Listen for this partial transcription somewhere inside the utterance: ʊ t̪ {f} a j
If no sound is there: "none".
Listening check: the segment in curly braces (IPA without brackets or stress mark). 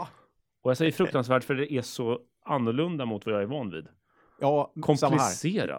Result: v